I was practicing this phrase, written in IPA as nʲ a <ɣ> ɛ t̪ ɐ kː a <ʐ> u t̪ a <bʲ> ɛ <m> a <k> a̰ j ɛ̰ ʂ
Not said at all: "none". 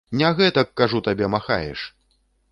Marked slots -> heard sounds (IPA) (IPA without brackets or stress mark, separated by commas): ɣ, ʐ, bʲ, m, x